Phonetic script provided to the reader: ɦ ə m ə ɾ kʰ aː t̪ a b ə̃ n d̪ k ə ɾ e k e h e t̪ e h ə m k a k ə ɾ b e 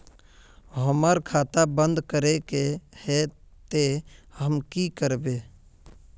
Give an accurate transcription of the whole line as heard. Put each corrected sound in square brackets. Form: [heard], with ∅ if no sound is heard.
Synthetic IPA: ɦ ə m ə ɾ kʰ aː t̪ a b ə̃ n d̪ k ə ɾ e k e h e t̪ e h ə m k [i] k ə ɾ b e